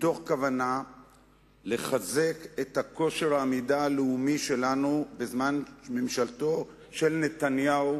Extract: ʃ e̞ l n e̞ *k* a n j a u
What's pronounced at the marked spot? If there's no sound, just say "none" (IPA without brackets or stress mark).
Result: t